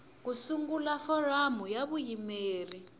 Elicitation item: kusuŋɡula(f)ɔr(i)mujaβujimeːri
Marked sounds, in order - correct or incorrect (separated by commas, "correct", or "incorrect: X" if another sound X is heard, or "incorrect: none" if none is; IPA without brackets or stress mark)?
correct, incorrect: a